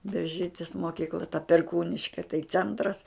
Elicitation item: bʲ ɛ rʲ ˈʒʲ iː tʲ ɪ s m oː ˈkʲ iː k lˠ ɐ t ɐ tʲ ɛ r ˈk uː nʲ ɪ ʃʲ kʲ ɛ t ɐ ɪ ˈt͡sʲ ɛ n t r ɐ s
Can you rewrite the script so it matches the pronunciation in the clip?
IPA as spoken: bʲ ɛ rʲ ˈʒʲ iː tʲ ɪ s m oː ˈkʲ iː k lˠ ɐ t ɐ pʲ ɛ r ˈk uː nʲ ɪ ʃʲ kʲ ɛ t ɐ ɪ ˈt͡sʲ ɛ n t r ɐ s